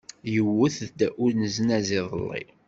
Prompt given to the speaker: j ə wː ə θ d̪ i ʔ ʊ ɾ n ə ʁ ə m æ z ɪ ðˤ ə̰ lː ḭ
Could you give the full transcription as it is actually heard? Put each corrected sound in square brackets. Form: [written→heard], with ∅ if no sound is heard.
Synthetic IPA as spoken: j ə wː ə θ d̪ [i→æ] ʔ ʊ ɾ n ə [ʁ→z] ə [m→n] æ z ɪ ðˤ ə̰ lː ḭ